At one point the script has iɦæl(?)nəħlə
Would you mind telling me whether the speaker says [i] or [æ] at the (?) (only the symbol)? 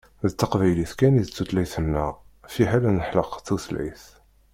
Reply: æ